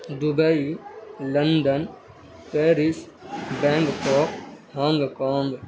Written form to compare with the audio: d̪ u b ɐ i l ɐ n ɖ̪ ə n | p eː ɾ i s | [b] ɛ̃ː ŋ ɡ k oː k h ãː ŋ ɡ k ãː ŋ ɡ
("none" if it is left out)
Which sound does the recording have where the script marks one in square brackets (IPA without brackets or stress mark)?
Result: b